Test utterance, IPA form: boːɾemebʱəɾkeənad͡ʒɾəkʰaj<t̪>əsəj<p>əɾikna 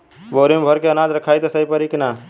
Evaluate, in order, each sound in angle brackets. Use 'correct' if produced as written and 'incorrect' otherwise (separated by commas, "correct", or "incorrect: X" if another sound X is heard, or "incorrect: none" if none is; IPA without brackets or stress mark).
correct, correct